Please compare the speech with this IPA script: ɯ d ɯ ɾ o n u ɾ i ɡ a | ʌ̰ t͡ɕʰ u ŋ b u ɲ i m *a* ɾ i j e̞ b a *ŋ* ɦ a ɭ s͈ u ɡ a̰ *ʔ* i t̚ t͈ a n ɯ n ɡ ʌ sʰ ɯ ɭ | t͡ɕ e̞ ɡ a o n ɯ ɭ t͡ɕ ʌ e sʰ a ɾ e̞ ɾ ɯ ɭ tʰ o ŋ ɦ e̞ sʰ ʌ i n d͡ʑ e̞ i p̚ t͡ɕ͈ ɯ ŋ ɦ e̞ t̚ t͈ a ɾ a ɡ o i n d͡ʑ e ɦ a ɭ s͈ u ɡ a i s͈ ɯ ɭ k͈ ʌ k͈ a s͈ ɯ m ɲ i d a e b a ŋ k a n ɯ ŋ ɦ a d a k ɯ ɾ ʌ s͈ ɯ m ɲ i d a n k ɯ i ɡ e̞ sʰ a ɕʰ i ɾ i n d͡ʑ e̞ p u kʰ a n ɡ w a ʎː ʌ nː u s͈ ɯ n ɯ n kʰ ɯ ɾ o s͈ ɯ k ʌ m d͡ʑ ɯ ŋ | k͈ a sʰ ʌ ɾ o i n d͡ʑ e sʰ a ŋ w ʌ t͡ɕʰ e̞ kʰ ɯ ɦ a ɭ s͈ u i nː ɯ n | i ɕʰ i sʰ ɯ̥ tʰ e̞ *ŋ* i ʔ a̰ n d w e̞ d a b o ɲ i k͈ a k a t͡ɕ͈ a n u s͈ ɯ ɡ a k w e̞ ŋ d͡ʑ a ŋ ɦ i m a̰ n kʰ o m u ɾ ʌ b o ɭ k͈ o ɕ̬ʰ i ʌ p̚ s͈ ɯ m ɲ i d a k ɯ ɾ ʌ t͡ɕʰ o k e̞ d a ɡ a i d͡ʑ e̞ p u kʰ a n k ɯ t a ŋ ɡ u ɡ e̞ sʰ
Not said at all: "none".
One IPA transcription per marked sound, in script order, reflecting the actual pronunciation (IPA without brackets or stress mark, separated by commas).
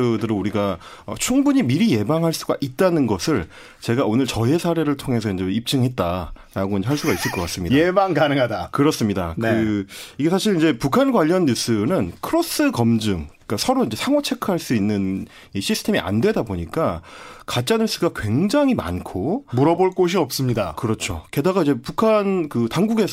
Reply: i, ŋ, ʔ, m